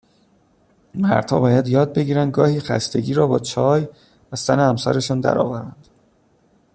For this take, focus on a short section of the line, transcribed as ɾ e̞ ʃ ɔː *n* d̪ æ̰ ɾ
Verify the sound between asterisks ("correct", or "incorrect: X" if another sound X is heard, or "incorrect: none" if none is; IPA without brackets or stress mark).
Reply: correct